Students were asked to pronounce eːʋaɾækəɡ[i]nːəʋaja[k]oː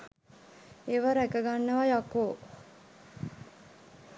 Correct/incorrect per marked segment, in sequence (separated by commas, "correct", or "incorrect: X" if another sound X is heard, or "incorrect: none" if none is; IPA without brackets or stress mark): incorrect: a, correct